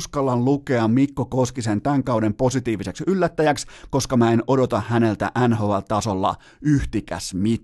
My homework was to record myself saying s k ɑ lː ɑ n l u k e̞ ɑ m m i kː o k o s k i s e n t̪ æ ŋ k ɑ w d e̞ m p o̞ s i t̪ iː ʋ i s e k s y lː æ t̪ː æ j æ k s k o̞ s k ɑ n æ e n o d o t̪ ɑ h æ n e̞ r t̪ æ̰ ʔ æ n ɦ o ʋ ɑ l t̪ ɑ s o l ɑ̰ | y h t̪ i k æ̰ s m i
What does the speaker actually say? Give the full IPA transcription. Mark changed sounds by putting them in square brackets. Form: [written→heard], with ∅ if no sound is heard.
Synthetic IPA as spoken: s k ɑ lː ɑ n l u k e̞ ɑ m m i kː o k o s k i s e n t̪ æ ŋ k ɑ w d e̞ m p o̞ s i t̪ iː ʋ i s e k s y lː æ t̪ː æ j æ k s k o̞ s k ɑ [n→m] æ e n o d o t̪ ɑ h æ n e̞ [r→l] t̪ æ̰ ʔ æ n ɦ o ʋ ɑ l t̪ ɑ s o [l→lː] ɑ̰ | y h t̪ i k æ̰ s m i